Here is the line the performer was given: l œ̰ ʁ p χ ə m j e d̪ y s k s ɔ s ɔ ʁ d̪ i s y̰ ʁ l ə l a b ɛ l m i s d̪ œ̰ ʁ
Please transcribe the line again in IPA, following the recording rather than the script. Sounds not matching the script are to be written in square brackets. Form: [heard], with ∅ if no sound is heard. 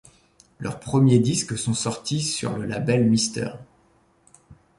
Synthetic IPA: l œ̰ ʁ p χ ə m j e d̪ [i] s k s [ɔ̃] s ɔ ʁ [t̪] i s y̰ ʁ l ə l a b ɛ l m i s [t̪] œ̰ ʁ